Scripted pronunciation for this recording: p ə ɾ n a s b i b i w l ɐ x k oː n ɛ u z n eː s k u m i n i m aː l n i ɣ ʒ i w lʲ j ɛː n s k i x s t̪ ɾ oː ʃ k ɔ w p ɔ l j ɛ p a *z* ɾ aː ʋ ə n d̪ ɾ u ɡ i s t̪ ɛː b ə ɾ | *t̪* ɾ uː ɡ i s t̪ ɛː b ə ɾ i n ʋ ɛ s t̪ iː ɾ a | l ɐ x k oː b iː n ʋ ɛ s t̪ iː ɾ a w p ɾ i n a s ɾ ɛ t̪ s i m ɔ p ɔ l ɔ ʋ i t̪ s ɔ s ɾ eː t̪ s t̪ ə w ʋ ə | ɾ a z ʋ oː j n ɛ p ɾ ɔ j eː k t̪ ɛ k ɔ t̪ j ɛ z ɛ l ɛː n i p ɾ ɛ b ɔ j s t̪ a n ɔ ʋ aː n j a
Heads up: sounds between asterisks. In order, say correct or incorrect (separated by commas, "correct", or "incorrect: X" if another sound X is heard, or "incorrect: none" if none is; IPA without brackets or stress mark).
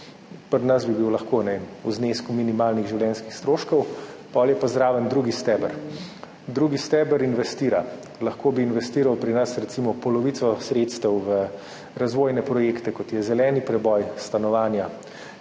correct, incorrect: d̪